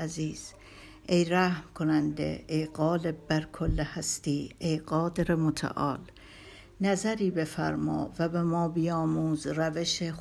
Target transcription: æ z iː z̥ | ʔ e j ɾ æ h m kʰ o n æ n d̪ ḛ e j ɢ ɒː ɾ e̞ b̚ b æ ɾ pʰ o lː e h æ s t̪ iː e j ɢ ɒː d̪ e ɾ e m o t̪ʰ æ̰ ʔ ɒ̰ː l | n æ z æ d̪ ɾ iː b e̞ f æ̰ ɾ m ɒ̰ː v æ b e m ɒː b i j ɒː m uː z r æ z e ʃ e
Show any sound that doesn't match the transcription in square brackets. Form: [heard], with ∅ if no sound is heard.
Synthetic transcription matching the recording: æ z iː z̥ | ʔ e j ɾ æ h m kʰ o n æ n d̪ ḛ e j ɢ ɒː [l] e̞ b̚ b æ ɾ [kʰ] o lː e h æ s t̪ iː e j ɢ ɒː d̪ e ɾ e m o t̪ʰ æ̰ ʔ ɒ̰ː l | n æ z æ [∅] ɾ iː b e̞ f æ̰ ɾ m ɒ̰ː v æ b e m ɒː b i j ɒː m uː z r æ [v] e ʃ e